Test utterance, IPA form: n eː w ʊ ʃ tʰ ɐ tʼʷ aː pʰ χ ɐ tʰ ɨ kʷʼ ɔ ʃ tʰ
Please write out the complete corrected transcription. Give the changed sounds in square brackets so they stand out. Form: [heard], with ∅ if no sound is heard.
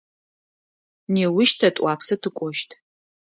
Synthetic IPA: n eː w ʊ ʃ tʰ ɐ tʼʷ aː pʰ [s] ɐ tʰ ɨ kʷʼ ɔ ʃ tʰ